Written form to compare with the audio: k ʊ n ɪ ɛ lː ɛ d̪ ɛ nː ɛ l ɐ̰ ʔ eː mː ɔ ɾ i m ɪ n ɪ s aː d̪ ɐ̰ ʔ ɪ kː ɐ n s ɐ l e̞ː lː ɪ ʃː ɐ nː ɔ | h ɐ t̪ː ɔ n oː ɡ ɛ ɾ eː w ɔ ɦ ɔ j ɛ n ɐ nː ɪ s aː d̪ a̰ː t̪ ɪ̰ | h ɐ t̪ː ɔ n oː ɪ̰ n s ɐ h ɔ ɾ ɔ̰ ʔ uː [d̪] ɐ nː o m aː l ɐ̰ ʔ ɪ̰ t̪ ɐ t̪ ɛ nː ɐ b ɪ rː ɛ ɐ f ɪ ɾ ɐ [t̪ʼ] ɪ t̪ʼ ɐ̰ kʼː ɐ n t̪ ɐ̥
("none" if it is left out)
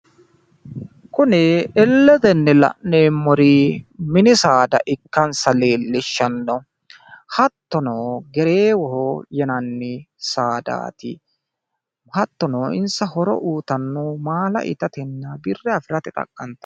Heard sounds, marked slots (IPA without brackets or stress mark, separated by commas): t̪, t̪